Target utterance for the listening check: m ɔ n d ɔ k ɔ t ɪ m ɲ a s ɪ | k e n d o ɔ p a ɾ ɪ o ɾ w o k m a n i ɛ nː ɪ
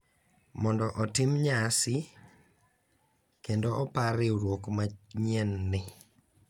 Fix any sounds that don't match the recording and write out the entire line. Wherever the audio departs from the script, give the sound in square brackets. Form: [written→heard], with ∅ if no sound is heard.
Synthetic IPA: m ɔ n d ɔ [k→ʔ] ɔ t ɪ m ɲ a s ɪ | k e n d o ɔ p a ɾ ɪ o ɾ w o k m a [n→ɲ] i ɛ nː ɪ